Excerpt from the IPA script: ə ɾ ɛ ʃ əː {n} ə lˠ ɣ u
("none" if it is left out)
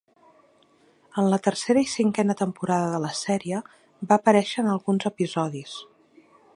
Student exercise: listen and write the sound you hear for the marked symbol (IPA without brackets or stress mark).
n